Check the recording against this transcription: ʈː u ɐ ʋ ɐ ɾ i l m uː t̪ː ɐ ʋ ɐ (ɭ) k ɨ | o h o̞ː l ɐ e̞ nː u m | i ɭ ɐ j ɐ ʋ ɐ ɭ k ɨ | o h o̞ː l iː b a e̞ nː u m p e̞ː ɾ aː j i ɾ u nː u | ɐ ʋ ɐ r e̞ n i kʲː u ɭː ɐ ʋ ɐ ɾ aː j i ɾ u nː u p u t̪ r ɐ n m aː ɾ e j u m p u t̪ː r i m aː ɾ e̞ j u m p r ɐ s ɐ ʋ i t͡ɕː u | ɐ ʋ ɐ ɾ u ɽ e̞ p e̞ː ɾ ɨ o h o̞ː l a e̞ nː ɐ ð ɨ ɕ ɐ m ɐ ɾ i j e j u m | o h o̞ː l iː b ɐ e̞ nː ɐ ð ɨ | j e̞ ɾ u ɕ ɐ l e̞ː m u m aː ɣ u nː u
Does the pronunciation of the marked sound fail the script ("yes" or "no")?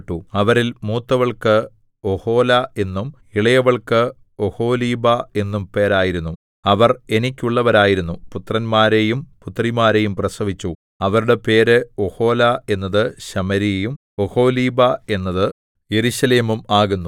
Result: no